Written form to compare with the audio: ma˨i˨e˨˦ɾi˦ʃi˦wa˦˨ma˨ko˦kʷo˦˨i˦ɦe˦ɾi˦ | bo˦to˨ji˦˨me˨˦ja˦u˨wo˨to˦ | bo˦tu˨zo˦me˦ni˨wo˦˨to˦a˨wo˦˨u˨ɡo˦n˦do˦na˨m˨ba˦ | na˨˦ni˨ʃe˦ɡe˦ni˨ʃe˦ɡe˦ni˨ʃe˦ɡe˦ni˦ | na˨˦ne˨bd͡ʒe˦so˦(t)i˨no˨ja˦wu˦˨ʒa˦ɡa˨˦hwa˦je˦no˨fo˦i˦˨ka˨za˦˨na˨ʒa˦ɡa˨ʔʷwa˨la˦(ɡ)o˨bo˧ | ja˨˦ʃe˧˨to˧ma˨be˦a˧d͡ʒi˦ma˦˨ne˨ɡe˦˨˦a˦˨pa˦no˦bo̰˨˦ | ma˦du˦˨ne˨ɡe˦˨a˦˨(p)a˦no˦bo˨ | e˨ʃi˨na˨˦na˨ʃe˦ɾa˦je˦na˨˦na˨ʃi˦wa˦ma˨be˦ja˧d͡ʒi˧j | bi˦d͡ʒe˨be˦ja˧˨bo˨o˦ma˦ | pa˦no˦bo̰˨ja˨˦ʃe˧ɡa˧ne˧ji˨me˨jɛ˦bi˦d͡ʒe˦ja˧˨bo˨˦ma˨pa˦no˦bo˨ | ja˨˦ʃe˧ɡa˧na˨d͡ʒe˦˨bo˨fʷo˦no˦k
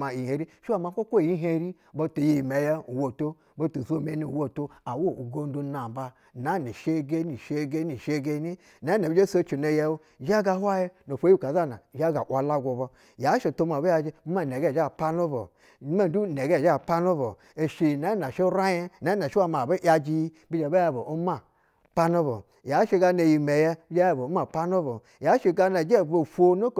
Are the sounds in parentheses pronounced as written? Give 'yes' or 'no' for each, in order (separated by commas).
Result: no, yes, yes